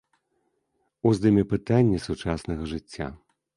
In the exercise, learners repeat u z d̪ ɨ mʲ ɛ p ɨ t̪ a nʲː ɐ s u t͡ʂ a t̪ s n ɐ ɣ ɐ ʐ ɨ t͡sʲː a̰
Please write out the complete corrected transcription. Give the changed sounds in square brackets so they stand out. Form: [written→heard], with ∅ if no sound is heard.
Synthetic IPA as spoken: u z d̪ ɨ mʲ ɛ p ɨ t̪ a nʲː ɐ s u t͡ʂ a [t̪→∅] s n ɐ ɣ ɐ ʐ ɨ t͡sʲː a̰